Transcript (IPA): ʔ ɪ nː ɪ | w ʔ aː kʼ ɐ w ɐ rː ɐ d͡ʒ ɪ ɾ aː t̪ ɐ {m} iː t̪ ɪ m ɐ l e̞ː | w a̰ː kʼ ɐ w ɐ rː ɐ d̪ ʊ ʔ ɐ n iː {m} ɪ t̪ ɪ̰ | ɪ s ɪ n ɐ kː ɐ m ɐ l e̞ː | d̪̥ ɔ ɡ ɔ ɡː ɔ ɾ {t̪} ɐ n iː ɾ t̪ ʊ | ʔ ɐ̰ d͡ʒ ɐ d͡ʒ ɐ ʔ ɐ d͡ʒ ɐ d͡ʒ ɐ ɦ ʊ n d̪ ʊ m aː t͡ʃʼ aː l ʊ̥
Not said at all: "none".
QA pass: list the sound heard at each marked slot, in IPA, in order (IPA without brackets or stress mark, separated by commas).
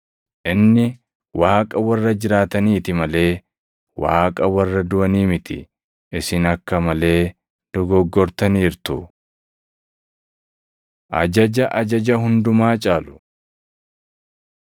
n, m, t̪